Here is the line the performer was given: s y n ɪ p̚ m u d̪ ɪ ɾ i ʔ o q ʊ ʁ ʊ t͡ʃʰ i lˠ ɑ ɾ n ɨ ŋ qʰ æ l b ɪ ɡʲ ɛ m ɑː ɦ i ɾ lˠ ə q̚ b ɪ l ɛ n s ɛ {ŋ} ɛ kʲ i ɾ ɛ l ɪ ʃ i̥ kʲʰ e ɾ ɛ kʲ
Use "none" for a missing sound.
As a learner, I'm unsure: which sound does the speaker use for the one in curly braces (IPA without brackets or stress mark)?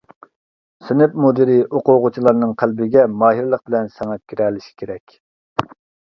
ŋ